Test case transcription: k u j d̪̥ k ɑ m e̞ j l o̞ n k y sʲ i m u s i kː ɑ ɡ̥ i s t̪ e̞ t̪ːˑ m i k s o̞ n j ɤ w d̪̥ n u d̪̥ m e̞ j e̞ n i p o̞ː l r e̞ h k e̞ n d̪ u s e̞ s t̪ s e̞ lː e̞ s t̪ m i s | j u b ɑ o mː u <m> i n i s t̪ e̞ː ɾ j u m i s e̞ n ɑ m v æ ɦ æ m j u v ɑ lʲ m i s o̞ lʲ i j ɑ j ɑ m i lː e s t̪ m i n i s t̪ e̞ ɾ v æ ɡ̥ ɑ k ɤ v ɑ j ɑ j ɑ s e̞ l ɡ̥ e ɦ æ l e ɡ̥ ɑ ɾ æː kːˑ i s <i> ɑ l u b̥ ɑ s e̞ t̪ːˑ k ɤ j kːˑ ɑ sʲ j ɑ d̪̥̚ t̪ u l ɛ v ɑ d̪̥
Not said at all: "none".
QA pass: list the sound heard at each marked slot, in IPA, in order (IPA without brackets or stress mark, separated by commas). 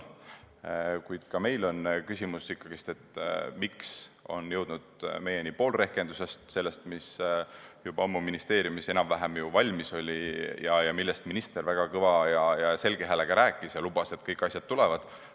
m, j